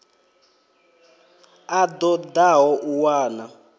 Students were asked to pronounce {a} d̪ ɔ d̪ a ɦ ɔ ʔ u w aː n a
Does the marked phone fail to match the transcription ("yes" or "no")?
no